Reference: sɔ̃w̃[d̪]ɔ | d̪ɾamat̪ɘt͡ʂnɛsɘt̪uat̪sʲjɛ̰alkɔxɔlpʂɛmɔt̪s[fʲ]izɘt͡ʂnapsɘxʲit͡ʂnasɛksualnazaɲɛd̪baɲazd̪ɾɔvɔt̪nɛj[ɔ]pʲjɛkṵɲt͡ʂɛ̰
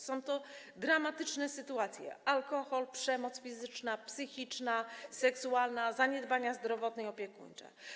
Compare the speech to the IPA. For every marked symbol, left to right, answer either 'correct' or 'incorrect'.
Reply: incorrect: t̪, correct, correct

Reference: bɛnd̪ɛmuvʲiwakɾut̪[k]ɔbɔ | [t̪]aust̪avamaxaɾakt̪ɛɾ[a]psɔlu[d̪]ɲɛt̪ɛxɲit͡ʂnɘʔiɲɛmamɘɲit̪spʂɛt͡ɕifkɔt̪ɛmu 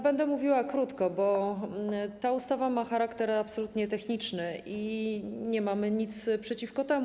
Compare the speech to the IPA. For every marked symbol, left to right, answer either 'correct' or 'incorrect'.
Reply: correct, correct, correct, incorrect: t̪

